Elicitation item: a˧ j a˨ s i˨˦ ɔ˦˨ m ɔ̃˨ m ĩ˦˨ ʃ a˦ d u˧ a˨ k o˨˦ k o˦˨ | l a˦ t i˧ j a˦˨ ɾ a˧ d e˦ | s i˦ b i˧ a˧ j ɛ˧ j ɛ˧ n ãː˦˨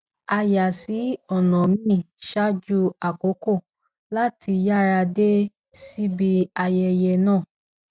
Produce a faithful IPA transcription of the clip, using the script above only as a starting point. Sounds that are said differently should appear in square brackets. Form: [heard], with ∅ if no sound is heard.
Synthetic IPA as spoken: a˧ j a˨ s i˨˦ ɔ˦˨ [n] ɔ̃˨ m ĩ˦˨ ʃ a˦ [d͡ʒ] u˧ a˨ k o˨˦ k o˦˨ | l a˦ t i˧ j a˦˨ ɾ a˧ d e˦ | s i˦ b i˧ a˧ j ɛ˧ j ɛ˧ n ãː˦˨